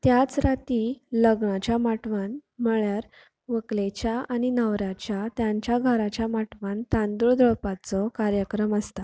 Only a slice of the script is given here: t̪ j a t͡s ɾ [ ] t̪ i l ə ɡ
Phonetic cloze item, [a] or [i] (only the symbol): a